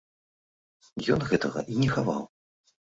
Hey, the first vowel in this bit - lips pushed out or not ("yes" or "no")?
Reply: yes